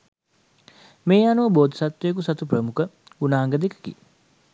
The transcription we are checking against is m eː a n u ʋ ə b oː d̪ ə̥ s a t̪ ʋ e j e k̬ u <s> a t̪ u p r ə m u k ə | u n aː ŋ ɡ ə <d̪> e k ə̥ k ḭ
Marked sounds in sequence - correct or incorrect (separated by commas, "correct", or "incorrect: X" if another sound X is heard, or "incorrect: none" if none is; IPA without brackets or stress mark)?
correct, correct